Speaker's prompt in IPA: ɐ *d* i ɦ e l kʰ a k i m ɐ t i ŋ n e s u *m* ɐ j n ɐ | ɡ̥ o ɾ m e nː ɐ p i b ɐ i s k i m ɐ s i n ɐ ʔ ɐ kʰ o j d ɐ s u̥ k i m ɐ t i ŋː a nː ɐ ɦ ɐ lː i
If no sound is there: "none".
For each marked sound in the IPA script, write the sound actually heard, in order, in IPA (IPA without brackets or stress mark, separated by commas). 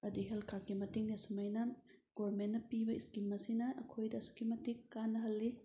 d, m